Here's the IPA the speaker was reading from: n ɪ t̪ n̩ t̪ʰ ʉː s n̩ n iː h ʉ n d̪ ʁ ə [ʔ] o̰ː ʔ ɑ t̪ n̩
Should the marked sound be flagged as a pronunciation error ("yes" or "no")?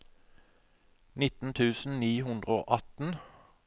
yes